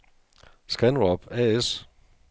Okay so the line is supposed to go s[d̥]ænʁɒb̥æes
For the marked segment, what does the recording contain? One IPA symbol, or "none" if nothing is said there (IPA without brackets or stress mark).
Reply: ɡ̥